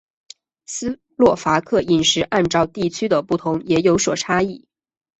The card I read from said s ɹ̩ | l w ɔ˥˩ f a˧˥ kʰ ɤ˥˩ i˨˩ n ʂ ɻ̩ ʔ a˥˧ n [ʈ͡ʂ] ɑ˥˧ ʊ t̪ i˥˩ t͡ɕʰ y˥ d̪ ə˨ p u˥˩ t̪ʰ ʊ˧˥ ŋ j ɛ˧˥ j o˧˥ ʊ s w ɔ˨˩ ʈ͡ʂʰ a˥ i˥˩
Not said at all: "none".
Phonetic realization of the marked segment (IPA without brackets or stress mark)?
ʈ͡ʂ